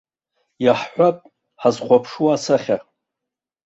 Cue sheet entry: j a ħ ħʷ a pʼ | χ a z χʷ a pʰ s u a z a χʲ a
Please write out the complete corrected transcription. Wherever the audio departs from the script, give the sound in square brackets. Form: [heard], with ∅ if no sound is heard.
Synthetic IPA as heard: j a ħ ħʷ a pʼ | [ħ] a z χʷ a pʰ [ʂ] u a [s] a χʲ a